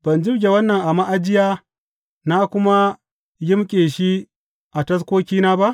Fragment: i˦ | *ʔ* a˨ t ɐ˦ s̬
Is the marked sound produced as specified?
yes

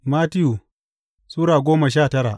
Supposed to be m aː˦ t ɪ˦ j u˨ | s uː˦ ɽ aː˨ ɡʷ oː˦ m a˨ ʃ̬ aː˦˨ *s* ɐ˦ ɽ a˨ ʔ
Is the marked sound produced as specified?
no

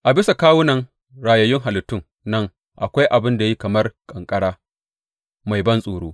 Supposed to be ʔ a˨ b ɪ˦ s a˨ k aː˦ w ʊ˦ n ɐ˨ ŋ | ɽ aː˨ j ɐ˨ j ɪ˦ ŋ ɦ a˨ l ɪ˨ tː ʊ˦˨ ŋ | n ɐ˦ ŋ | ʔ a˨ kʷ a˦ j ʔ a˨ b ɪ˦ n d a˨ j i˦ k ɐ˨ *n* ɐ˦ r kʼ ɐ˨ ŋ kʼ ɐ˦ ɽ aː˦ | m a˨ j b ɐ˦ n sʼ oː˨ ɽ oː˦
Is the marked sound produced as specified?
no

